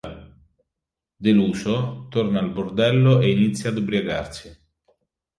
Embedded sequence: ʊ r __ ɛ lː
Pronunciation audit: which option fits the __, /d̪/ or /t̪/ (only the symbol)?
d̪